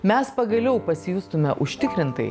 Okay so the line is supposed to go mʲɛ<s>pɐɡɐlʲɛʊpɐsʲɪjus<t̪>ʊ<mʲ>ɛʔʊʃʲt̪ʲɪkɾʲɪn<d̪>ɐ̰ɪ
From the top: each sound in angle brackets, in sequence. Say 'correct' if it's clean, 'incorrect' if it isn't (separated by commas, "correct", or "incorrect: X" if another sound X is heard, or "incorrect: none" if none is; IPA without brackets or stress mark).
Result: correct, correct, correct, incorrect: t̪